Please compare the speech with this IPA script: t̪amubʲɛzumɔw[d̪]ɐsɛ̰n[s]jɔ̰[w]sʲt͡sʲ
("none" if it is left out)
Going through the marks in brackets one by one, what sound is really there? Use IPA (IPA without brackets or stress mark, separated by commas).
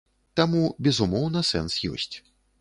n̪, s, none